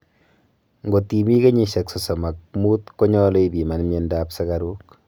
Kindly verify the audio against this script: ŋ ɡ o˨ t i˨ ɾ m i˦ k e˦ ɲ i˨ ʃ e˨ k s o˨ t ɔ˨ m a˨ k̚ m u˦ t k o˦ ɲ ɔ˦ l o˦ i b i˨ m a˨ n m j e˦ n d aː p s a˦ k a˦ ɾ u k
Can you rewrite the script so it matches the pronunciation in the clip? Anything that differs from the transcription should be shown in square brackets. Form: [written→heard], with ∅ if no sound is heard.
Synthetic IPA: ŋ ɡ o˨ t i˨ [ɾ→∅] m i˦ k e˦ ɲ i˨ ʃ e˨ k s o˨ [t→s] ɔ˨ m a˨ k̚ m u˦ t k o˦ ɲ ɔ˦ l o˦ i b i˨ m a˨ n m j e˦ n d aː p s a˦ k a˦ ɾ u k